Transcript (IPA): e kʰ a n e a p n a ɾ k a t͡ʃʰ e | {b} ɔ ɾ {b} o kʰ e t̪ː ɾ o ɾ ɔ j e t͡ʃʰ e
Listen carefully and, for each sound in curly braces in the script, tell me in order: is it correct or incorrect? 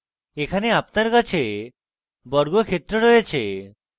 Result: correct, incorrect

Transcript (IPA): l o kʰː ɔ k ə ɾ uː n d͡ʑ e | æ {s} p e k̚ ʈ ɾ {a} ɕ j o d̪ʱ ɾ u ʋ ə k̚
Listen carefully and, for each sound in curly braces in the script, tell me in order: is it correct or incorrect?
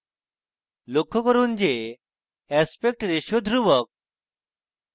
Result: correct, incorrect

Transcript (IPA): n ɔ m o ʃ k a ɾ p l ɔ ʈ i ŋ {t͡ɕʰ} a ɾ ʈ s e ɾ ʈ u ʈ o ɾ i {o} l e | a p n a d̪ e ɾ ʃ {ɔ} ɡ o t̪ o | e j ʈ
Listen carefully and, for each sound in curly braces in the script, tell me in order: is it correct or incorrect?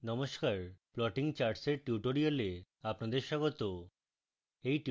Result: incorrect, correct, correct

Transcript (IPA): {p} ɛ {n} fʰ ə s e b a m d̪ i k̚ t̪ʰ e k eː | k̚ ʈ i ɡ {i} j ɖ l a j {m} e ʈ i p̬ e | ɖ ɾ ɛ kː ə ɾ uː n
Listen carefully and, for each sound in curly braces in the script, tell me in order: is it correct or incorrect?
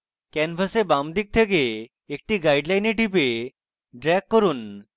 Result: incorrect, correct, incorrect, incorrect

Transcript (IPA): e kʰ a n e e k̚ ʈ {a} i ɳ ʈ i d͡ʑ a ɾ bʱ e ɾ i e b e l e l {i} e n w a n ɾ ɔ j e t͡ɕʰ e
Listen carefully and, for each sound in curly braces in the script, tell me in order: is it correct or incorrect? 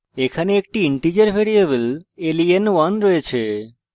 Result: incorrect, correct

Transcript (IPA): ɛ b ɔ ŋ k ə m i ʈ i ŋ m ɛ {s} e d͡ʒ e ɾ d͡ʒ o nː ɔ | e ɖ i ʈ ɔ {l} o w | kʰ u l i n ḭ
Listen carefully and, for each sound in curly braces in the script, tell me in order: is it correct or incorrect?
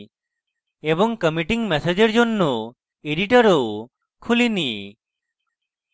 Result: correct, incorrect

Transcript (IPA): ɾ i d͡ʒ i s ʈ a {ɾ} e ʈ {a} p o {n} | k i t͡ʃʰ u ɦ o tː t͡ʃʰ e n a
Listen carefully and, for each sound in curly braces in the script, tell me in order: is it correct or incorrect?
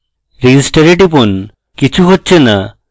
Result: correct, incorrect, correct

